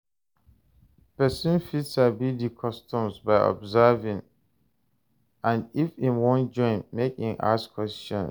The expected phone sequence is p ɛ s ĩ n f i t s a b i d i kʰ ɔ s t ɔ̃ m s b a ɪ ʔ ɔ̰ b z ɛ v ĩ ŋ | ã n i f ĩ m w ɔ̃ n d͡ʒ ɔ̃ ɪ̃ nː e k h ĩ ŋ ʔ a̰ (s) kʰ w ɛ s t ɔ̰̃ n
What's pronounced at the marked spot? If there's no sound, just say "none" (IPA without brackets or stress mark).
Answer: s